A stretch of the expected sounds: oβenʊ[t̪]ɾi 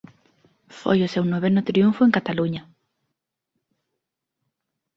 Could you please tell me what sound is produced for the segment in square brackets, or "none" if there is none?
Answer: t̪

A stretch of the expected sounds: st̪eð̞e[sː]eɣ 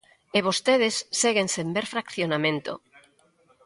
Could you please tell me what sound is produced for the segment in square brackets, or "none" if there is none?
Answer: sː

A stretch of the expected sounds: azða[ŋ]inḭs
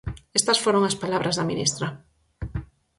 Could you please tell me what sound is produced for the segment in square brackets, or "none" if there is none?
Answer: m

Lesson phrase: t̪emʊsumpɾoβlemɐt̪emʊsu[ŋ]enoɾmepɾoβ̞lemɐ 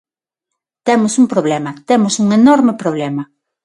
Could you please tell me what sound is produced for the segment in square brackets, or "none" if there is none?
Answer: ŋ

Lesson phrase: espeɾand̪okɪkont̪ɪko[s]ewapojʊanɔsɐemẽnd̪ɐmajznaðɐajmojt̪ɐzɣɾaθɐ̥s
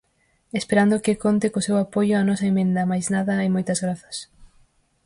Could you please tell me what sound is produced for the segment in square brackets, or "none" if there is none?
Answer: s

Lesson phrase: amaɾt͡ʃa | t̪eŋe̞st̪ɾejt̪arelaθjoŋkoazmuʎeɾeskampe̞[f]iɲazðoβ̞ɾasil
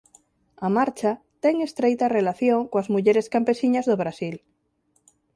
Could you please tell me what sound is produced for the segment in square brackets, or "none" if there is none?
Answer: s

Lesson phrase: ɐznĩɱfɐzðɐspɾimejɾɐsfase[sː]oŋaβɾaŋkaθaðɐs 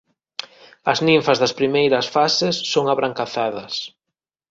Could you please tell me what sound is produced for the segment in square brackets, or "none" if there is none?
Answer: sː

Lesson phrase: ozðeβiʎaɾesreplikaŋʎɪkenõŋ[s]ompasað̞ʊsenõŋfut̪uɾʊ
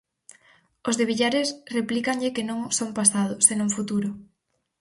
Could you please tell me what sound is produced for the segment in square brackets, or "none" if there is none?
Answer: s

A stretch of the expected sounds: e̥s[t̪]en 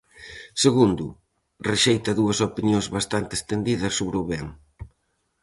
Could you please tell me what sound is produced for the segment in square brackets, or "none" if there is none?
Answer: t̪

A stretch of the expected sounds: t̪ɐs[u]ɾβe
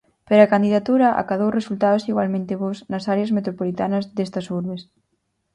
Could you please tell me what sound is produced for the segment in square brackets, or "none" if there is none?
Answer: u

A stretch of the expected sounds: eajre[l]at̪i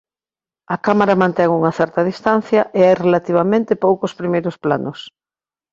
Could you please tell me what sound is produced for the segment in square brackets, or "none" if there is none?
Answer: l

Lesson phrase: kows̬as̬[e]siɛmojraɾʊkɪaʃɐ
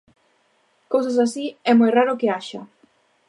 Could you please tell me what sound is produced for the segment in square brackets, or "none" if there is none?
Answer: a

